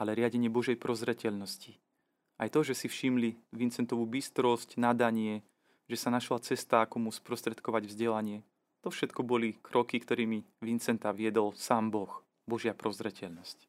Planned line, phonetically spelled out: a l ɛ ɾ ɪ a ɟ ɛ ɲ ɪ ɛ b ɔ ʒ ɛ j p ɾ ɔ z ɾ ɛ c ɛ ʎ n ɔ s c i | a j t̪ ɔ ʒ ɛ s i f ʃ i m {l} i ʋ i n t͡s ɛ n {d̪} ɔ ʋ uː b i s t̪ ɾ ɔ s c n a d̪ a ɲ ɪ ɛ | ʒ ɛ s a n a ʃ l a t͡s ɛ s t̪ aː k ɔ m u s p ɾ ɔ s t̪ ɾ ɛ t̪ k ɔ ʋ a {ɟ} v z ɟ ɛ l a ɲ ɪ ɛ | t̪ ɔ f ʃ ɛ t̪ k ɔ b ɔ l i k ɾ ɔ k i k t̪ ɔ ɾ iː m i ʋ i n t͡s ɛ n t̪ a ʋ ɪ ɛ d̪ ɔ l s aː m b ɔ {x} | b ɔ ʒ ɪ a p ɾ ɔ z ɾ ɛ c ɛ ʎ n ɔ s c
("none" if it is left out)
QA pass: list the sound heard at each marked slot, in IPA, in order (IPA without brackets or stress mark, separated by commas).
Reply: l, t̪, ɟ, x